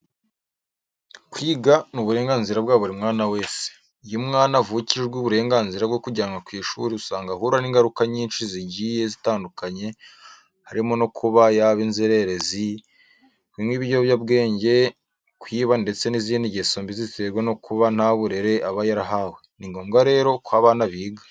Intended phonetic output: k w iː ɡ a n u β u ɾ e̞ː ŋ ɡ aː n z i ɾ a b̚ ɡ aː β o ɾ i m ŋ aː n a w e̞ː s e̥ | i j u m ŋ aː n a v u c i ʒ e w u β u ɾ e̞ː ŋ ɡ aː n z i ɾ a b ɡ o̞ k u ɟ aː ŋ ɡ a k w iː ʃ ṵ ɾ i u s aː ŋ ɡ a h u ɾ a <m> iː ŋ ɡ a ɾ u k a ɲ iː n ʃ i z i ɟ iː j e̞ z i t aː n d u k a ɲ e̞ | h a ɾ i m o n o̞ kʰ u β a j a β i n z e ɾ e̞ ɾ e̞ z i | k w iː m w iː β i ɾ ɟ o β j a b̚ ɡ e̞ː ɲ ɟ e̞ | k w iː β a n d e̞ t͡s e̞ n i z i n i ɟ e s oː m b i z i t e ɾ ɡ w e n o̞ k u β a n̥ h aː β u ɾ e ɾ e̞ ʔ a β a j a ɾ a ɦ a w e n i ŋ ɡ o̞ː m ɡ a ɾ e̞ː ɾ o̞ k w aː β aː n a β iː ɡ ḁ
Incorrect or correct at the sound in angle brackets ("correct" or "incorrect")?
incorrect